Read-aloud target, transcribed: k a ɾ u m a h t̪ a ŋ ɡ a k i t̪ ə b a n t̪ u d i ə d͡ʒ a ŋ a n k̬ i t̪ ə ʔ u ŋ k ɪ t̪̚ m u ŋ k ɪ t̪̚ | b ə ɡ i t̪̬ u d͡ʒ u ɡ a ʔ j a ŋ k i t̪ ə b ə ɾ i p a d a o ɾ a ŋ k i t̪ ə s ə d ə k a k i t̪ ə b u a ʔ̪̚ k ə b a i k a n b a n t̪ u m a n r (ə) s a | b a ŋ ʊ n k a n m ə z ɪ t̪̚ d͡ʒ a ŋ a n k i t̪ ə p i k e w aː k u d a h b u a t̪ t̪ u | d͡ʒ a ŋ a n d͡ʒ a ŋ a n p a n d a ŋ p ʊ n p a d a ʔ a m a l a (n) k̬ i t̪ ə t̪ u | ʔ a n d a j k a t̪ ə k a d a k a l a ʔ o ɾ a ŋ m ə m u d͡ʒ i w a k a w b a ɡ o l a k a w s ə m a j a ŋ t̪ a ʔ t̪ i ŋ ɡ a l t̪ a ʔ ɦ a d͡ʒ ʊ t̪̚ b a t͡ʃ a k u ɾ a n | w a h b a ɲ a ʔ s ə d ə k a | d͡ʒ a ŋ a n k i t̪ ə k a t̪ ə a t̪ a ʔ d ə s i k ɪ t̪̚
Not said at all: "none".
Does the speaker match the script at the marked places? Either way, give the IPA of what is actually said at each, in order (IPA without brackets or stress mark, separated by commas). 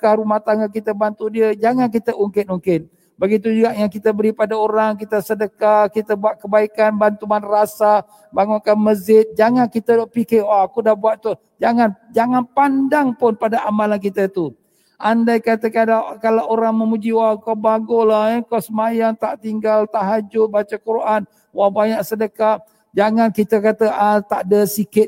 a, n